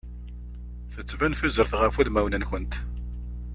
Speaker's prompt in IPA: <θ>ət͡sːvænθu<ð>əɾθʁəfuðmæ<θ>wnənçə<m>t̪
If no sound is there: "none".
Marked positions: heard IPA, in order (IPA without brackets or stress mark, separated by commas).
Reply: θ, z, none, n